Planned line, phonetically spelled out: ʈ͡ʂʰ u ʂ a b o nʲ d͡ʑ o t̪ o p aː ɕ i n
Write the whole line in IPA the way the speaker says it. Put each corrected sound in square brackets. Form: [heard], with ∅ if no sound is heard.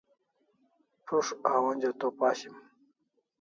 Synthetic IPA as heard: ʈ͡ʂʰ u ʂ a [w] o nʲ d͡ʑ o t̪ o p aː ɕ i [m]